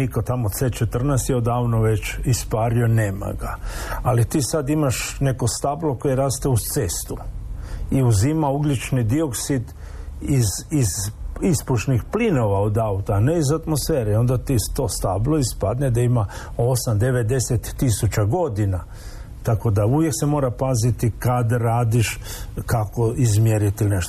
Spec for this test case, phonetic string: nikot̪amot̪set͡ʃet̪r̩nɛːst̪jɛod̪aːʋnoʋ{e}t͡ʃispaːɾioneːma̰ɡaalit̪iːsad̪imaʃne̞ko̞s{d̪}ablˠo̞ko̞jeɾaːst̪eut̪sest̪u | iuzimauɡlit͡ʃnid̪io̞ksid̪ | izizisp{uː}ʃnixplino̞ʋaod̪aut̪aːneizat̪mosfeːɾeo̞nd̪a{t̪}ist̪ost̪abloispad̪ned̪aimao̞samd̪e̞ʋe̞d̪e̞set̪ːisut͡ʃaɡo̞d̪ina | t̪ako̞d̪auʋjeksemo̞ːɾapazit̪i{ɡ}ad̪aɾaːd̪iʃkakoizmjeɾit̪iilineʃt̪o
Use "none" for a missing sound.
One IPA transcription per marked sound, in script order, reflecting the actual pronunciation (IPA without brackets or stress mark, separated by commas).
e, t̪, u, t̪, k